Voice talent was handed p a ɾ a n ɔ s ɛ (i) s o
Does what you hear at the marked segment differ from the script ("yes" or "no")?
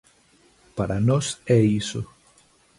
no